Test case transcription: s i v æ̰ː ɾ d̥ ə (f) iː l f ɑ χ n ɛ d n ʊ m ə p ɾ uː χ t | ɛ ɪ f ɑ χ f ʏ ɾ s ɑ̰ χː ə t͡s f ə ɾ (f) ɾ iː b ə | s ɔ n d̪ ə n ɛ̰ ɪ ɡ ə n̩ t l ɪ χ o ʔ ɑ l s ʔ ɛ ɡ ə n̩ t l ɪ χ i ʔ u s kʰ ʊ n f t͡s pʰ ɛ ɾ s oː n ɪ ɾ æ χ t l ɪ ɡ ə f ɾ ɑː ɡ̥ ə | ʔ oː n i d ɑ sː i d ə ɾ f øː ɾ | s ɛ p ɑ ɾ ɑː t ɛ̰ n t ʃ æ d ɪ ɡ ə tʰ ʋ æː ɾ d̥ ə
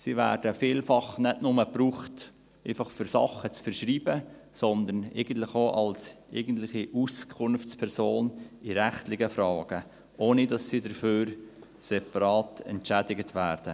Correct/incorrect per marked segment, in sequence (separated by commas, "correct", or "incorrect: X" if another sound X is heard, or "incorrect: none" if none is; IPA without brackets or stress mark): correct, incorrect: ʃ